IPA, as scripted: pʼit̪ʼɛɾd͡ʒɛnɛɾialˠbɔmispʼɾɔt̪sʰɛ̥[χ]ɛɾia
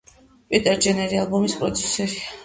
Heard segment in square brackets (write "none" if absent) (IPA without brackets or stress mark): s